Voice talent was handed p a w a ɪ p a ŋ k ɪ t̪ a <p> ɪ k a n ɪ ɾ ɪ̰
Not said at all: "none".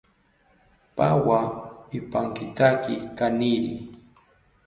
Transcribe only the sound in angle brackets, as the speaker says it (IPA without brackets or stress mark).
k